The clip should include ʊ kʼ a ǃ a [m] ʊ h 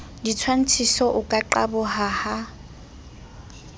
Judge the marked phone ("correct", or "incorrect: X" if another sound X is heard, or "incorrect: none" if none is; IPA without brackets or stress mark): incorrect: b